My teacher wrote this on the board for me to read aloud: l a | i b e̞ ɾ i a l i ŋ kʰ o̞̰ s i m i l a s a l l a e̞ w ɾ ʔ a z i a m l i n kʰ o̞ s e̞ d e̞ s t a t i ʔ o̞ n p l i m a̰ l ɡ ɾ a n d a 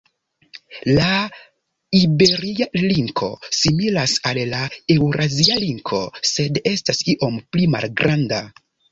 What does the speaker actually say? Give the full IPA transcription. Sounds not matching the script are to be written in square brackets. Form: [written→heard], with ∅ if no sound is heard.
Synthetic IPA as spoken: l a | i b e̞ ɾ i a l i ŋ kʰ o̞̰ s i m i l a s a l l a e̞ w ɾ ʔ a z i a [m→∅] l i [n→ŋ] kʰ o̞ s e̞ d e̞ s t a [t→s] i ʔ o̞ [n→m] p l i m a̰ l ɡ ɾ a n d a